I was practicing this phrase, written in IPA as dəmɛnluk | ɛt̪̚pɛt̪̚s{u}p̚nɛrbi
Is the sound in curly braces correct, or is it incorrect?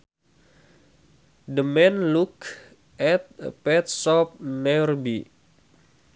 incorrect